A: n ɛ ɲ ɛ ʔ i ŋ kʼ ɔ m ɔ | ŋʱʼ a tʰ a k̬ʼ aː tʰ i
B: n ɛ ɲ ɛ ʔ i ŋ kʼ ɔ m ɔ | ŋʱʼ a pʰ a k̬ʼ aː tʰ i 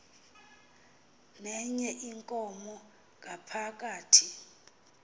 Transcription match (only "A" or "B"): B